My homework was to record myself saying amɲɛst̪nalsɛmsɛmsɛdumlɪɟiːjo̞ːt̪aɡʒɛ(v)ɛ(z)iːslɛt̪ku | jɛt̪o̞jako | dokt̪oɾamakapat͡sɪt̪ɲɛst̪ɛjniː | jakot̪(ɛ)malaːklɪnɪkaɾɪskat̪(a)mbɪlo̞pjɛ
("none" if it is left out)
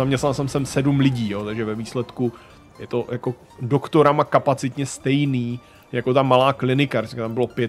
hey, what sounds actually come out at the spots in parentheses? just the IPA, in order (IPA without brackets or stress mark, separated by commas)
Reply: v, v, a, a